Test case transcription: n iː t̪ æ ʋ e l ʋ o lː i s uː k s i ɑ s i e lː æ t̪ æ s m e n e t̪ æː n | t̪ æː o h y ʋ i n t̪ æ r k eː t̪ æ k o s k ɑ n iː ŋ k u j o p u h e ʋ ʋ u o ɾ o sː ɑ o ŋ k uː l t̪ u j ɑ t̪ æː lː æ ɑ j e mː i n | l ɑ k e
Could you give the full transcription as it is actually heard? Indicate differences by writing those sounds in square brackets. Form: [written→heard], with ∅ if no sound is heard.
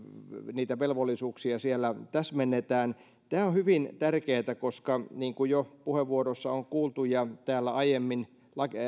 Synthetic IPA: n iː t̪ æ ʋ e l ʋ o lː i s uː k s i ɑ s i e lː æ t̪ æ s m e [n→nː] e t̪ æː n | t̪ æː o h y ʋ i n t̪ æ r k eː t̪ æ k o s k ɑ n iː ŋ k u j o p u h e ʋ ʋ u o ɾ o sː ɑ o ŋ k uː l t̪ u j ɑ t̪ æː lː æ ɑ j e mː i n | l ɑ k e